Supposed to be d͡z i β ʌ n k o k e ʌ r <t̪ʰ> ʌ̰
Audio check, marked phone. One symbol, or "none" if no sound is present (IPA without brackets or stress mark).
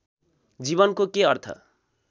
t̪ʰ